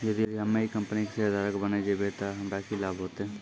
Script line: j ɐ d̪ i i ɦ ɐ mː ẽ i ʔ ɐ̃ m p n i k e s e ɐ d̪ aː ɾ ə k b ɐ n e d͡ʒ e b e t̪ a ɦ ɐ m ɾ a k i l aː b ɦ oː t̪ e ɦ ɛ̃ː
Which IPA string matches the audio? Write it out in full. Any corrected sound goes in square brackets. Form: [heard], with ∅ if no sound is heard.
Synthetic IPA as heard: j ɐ d̪ i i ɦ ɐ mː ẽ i [k] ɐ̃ m p n i k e s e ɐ d̪ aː ɾ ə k b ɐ n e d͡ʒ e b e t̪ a ɦ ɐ m ɾ a k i l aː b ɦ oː t̪ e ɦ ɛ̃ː